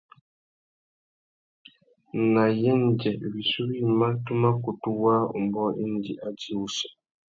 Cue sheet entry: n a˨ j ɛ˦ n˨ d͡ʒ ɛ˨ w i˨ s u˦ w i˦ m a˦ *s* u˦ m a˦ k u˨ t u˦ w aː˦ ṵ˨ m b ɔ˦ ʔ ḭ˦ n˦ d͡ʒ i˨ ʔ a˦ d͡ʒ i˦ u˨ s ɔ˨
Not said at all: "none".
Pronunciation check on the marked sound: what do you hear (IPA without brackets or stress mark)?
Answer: t